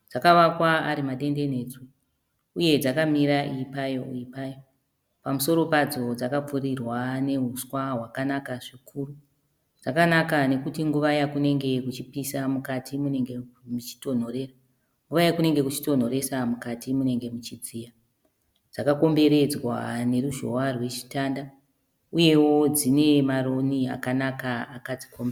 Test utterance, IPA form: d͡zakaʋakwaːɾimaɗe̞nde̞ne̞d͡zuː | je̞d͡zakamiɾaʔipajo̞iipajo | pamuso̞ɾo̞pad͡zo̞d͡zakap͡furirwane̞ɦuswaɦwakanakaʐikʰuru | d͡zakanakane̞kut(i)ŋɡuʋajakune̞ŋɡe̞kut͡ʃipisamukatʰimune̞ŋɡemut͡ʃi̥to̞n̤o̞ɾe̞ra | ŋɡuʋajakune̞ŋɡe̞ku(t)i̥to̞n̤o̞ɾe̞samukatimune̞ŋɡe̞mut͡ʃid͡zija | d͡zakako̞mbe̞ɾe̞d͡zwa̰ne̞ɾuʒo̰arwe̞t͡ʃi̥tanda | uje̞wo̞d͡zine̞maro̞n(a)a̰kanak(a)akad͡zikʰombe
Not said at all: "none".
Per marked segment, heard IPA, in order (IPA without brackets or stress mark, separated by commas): i, t͡ʃ, i, a